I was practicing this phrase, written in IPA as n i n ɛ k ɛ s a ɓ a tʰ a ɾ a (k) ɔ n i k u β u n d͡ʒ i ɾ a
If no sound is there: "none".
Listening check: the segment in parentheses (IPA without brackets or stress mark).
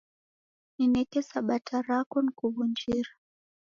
k